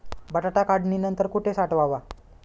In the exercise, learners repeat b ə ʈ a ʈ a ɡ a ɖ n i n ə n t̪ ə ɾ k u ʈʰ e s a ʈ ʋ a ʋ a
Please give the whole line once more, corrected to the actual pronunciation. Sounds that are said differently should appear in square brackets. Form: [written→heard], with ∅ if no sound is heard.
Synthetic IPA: b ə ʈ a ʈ a [ɡ→k] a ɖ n i n ə n t̪ ə ɾ k u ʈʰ e s a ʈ ʋ a ʋ a